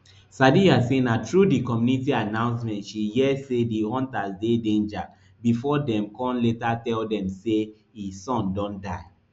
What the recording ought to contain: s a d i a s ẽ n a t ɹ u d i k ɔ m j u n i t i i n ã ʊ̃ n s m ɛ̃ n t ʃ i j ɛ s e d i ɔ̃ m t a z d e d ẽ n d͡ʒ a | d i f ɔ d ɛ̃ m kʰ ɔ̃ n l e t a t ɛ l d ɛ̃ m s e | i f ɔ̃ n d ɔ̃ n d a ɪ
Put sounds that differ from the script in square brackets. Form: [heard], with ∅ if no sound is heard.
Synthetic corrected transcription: s a d i a s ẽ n a t ɹ u d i k ɔ m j u n i t i [a] n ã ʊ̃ n s m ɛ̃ n t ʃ i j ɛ s e d i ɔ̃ [n] t a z d e d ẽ n d͡ʒ a | [b] i f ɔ d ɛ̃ m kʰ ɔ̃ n l e t a t ɛ l d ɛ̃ m s e | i [s] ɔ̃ n d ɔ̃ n d a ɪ